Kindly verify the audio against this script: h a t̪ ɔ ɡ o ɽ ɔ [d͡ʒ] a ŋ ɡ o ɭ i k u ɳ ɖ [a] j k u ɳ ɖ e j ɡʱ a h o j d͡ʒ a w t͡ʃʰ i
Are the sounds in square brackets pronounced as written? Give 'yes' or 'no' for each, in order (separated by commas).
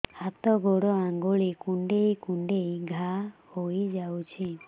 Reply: no, no